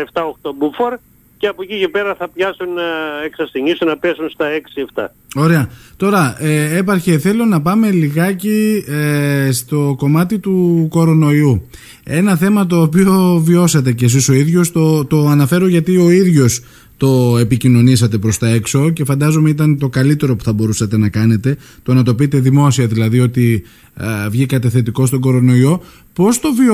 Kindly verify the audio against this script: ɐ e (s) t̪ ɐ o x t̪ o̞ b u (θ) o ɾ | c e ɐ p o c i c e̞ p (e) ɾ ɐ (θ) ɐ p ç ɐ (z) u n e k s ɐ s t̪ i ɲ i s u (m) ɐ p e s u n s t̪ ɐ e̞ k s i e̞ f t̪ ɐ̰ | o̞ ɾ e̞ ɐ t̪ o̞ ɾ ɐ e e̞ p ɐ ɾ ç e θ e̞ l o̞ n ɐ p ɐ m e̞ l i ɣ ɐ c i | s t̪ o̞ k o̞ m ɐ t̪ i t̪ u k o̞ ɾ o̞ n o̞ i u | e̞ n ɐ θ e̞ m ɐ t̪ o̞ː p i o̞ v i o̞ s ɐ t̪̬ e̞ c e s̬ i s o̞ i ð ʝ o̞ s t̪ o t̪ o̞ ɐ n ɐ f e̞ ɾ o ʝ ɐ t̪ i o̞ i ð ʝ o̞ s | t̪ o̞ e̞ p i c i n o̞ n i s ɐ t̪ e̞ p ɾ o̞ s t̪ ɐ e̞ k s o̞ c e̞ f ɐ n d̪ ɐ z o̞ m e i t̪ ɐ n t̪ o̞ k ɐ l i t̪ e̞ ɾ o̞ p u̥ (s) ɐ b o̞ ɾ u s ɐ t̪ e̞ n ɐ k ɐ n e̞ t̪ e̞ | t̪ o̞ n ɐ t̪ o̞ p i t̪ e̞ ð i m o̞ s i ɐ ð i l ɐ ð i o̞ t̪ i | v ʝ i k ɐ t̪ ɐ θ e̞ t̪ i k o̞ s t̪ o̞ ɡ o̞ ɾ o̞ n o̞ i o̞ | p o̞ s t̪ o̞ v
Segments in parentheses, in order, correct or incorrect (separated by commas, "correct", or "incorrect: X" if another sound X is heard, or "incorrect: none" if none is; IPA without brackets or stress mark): incorrect: f, incorrect: f, correct, correct, incorrect: s, incorrect: n, incorrect: θ